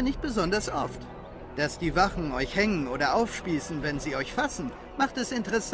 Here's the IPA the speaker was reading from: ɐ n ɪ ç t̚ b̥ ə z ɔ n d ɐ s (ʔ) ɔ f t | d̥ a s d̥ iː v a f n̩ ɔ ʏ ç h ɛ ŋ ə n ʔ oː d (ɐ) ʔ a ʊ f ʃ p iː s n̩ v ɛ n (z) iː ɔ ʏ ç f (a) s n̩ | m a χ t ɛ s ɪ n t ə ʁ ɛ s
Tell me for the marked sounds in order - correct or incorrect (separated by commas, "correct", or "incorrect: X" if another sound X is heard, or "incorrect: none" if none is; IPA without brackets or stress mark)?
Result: correct, correct, correct, correct